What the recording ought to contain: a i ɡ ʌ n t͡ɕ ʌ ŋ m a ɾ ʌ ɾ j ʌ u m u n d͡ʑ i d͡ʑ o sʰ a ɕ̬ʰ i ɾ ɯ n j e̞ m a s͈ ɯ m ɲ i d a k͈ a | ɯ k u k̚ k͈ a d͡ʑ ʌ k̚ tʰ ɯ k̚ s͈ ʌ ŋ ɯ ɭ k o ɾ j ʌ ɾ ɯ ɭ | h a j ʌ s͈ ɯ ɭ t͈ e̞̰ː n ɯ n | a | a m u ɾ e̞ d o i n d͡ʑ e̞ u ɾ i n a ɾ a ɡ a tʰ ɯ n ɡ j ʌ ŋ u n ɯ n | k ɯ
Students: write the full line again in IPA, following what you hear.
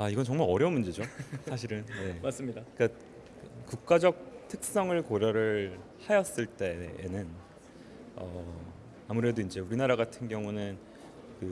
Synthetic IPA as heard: a i ɡ ʌ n t͡ɕ ʌ ŋ m a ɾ ʌ ɾ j ʌ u m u n d͡ʑ i d͡ʑ o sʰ a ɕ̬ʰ i ɾ ɯ n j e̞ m a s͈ ɯ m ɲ i d a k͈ a | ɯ k u k̚ k͈ a d͡ʑ ʌ k̚ tʰ ɯ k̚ s͈ ʌ ŋ ɯ ɭ k o ɾ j ʌ ɾ ɯ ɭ | h a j ʌ s͈ ɯ ɭ t͈ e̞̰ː n ɯ n | ʌ | a m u ɾ e̞ d o i n d͡ʑ e̞ u ɾ i n a ɾ a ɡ a tʰ ɯ n ɡ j ʌ ŋ u n ɯ n | k ɯ